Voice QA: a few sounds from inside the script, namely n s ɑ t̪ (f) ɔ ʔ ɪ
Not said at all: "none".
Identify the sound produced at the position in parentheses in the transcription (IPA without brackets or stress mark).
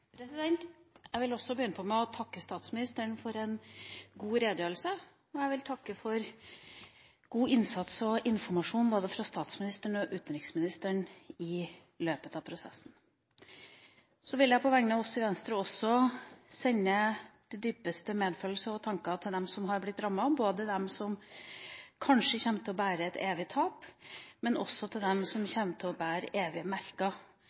s